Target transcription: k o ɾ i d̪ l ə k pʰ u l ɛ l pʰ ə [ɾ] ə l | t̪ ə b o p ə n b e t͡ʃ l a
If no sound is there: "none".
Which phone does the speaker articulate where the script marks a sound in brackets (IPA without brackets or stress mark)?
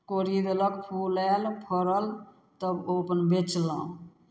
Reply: ɾ